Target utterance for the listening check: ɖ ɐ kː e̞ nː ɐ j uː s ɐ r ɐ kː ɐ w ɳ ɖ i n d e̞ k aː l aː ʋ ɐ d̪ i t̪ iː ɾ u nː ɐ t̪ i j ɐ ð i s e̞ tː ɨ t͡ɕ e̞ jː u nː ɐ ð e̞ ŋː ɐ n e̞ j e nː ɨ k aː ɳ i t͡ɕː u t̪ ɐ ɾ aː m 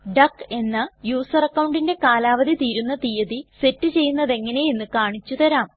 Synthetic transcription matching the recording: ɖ ɐ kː e̞ nː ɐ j uː s ɐ r ɐ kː ɐ w ɳ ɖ i n d e̞ k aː l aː ʋ ɐ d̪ i t̪ iː ɾ u nː ɐ t̪ i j ɐ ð i s e̞ tː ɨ t͡ɕ e̞ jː u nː ɐ ð e̞ ŋː ɐ n e̞ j e nː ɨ k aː ɳ i t͡ɕː u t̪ ɐ ɾ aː m